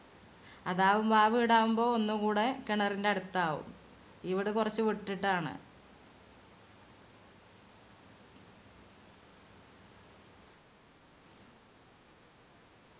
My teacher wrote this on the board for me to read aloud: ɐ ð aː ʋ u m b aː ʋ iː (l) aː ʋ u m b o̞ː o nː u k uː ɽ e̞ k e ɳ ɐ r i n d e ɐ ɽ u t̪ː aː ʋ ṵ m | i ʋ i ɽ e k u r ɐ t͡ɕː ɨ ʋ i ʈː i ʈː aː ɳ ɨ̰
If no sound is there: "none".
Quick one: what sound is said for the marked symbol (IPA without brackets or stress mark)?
ɽ